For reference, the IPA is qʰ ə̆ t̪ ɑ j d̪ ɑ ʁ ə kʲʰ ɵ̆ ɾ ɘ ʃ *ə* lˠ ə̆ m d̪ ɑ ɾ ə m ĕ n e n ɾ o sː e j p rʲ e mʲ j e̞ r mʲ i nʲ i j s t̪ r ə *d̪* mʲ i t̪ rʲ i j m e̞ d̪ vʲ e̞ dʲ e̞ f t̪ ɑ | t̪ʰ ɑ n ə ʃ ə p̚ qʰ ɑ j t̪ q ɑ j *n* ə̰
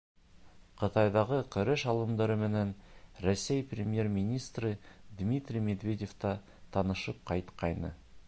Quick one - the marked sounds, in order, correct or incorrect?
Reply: incorrect: ɑ, correct, correct

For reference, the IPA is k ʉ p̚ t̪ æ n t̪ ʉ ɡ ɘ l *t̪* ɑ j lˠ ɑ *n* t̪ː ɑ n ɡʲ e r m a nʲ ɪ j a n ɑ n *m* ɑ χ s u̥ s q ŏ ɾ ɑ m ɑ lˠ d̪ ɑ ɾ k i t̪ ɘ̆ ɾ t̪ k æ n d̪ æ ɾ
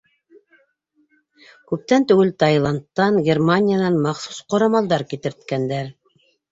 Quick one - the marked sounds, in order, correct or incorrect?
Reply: correct, correct, correct

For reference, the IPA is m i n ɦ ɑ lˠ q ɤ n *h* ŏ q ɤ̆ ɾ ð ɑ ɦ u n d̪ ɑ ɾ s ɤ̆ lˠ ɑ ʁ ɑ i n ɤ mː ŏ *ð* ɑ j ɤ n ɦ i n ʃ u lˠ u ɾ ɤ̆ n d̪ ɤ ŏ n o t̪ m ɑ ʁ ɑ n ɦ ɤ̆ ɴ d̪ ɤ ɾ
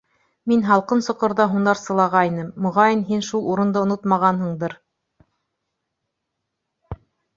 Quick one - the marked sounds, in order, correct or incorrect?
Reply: incorrect: s, incorrect: ʁ

